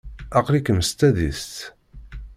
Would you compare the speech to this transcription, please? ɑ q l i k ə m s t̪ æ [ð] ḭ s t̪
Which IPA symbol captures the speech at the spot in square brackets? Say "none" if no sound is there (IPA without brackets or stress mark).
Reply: ð